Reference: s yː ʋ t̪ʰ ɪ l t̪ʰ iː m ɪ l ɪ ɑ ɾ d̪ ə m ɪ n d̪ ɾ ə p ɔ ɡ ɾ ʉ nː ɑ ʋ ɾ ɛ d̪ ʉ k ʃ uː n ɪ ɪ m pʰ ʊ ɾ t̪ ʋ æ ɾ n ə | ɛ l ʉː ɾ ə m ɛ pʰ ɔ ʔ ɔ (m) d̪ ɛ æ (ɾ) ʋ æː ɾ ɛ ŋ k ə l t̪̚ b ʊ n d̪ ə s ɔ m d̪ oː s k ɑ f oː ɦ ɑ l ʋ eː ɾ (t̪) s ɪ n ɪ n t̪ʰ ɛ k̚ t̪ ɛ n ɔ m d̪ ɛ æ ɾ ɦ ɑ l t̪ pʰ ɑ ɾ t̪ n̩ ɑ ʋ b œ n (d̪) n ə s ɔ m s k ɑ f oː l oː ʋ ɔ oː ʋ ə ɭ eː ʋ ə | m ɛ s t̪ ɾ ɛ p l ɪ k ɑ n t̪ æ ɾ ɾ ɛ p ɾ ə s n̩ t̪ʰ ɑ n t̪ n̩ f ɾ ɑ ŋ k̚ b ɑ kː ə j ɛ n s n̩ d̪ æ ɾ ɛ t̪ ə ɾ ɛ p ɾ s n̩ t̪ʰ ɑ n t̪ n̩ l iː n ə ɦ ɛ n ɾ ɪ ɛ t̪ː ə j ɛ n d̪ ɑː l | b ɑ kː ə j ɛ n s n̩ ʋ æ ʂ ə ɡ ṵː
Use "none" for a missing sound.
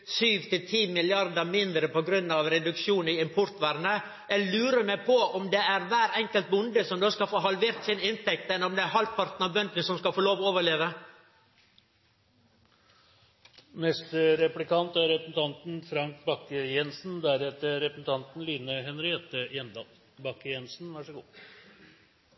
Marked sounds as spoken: m, ɾ, t̪, d̪

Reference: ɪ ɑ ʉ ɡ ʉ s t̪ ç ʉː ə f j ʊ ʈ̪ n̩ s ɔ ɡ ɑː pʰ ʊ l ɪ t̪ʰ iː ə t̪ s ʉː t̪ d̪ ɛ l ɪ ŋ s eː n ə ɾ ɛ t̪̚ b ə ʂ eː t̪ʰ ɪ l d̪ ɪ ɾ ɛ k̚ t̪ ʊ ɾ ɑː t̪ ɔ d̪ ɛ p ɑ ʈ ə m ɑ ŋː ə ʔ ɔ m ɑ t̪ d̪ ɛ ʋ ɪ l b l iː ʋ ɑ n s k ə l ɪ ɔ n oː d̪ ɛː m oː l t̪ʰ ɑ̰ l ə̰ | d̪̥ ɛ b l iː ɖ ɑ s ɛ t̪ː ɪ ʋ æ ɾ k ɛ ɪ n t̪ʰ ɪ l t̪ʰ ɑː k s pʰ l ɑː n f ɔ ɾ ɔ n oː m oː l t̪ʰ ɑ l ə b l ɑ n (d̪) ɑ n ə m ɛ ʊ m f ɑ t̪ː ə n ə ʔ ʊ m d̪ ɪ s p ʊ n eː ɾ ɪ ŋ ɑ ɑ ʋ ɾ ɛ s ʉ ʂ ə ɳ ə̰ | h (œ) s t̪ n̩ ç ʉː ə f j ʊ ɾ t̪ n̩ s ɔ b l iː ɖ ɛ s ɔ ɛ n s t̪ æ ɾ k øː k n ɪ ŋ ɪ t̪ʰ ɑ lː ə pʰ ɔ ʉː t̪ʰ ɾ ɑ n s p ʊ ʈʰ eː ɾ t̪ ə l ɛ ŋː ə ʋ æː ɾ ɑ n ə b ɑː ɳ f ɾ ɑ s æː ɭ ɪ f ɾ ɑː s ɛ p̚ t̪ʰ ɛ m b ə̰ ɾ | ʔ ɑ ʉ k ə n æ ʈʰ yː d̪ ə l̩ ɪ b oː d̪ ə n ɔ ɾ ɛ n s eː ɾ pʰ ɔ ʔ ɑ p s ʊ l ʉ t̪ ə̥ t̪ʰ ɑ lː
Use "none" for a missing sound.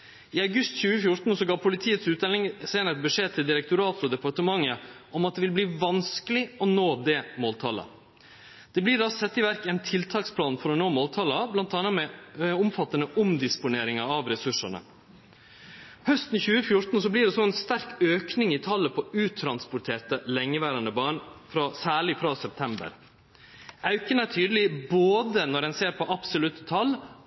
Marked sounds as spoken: t̪, œ

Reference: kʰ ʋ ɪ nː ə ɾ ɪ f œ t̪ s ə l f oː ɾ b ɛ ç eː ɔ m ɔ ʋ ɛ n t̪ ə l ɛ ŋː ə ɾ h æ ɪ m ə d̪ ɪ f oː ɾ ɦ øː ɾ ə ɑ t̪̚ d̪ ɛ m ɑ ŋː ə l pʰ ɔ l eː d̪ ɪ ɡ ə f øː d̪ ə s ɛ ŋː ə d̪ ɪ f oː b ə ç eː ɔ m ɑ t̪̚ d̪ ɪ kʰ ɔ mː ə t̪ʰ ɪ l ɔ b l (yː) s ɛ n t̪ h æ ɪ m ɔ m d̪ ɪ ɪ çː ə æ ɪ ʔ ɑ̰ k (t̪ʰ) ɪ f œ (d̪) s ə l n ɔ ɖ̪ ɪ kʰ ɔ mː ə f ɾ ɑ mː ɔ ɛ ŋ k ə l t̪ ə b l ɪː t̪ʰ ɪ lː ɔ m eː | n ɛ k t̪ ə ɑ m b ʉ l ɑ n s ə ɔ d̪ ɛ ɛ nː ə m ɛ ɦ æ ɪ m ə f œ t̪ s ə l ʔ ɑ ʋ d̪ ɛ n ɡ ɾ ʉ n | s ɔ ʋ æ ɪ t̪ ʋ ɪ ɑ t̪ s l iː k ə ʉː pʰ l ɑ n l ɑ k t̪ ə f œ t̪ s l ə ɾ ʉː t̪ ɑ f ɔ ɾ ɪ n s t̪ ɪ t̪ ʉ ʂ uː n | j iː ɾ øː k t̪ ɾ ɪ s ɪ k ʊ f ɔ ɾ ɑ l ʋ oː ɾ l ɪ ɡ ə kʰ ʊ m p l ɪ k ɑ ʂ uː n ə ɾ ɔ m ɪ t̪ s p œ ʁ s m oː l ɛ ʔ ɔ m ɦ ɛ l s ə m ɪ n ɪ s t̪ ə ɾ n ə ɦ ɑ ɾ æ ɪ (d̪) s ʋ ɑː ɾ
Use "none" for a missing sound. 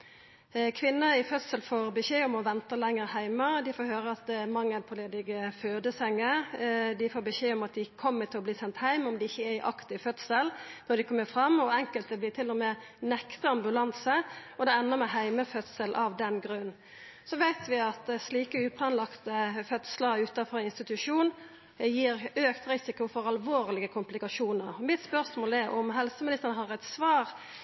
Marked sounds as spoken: iː, t̪, t̪, t̪

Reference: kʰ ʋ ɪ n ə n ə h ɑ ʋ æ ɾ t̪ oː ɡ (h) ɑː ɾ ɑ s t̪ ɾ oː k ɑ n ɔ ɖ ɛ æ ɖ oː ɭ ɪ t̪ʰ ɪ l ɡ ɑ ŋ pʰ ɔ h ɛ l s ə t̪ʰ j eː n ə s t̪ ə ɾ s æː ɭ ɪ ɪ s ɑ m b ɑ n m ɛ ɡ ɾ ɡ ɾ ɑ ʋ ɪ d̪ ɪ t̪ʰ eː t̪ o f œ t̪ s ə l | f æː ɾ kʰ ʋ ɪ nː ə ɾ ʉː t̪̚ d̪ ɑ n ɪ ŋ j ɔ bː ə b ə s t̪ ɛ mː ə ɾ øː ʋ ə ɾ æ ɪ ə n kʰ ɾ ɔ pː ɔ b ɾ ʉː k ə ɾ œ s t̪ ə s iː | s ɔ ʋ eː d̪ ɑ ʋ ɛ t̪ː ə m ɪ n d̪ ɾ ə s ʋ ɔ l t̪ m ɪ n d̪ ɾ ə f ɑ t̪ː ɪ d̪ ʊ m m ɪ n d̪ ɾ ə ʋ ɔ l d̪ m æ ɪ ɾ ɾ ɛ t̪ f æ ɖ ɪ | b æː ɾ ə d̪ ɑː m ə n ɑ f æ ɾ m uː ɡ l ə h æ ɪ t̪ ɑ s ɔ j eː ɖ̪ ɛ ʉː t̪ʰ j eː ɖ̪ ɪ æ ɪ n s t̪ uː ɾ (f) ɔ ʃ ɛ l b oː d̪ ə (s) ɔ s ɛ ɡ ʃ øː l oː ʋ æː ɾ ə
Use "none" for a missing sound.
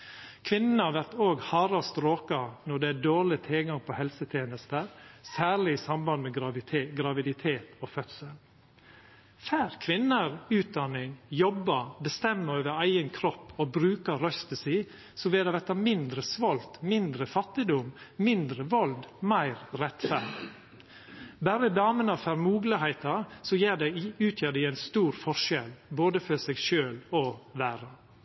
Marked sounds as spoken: h, f, f

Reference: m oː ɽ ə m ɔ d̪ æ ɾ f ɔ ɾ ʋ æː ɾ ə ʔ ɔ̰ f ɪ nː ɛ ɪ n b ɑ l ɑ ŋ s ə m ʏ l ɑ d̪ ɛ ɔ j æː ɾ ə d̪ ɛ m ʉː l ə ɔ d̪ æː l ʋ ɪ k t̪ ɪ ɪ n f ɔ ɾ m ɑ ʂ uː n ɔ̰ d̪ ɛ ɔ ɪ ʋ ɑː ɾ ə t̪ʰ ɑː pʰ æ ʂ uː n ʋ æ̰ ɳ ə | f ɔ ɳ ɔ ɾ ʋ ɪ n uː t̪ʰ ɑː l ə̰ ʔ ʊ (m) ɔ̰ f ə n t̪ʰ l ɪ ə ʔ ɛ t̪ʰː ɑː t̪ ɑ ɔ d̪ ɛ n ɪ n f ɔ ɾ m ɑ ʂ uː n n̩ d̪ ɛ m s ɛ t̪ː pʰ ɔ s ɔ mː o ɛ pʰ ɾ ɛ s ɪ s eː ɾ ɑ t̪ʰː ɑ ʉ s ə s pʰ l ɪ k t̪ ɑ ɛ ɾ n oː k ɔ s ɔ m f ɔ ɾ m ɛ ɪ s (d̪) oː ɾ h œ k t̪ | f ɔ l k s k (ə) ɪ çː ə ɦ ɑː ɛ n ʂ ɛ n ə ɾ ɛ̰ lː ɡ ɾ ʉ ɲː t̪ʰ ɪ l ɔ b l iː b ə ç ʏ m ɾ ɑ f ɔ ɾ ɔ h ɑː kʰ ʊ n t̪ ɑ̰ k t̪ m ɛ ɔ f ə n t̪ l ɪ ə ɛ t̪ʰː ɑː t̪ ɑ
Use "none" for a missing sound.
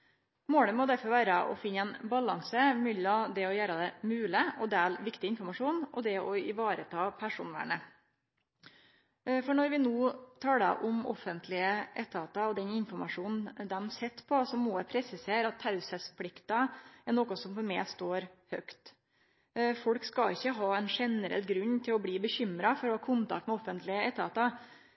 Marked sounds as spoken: m, t̪, ɑ

